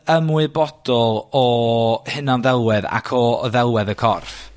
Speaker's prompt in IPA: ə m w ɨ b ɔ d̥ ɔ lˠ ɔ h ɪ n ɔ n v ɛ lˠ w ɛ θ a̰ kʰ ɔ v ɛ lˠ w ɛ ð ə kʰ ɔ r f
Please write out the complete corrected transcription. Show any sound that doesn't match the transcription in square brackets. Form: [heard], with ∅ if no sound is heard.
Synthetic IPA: ə m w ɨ b ɔ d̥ ɔ lˠ ɔ h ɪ n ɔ n [ð] ɛ lˠ w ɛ [ð] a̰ kʰ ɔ [ð] ɛ lˠ w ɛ ð ə kʰ ɔ r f